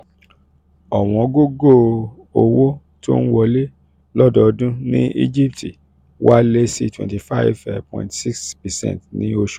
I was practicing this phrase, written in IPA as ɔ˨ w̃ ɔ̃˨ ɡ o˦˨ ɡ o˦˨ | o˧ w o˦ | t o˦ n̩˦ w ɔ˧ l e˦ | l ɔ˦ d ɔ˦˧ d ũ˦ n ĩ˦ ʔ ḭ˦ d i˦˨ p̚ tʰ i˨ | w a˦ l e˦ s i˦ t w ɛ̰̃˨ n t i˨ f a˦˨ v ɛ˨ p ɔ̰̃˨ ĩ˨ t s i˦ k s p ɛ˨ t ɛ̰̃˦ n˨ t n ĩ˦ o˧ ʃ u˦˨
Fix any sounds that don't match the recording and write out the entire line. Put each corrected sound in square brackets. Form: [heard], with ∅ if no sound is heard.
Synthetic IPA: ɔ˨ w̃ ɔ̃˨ ɡ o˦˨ ɡ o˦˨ | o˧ w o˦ | t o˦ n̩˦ w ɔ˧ l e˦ | l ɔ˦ d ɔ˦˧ d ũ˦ n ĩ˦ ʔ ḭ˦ [d͡ʒ] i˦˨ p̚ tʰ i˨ | w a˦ l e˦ s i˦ t w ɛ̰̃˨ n t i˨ f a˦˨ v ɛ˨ p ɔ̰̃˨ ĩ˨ t s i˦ k s p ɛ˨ [s] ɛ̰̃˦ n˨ t n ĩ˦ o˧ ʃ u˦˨